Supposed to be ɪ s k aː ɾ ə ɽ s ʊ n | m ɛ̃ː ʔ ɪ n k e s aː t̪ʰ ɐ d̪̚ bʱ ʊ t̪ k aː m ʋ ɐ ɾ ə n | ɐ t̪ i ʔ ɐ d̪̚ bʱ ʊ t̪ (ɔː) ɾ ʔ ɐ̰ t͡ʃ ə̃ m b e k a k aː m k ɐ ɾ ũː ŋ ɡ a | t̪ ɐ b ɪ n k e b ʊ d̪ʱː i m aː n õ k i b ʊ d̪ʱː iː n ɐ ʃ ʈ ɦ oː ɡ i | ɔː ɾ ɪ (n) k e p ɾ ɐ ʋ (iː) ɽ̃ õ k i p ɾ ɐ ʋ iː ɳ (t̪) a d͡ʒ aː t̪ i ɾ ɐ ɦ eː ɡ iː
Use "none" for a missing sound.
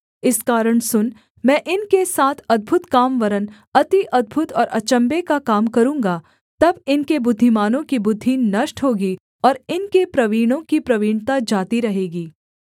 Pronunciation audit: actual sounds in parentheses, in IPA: ɔː, n, iː, t̪

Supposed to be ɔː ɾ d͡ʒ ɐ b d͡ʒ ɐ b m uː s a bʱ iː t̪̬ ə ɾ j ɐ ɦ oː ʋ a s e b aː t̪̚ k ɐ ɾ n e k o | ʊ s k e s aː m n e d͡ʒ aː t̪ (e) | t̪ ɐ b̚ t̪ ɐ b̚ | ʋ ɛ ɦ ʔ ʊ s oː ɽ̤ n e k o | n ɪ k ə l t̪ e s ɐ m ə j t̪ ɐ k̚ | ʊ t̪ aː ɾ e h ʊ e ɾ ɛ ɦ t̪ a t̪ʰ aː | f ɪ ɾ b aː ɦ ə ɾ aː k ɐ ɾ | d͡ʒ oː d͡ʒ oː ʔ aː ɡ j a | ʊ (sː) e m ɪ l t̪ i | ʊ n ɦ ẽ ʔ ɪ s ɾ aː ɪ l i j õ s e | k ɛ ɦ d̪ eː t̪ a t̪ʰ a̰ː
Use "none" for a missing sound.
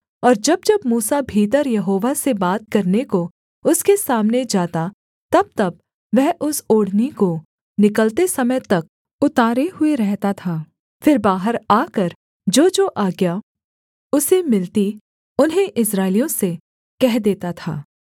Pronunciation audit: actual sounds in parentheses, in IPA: a, s

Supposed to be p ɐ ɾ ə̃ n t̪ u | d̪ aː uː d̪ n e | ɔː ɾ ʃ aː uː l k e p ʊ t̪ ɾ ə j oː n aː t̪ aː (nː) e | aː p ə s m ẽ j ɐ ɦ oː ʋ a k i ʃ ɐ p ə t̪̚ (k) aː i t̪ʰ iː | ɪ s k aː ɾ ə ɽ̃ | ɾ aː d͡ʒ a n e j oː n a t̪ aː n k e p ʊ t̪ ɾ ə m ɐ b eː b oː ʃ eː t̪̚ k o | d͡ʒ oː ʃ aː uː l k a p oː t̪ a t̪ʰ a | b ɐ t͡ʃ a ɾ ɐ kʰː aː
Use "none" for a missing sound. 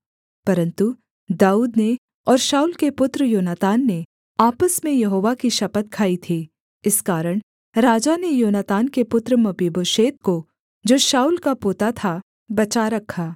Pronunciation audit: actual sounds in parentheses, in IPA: nː, kʰ

